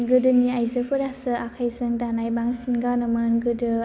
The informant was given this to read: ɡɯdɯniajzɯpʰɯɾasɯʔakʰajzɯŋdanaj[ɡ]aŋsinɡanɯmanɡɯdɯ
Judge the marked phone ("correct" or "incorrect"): incorrect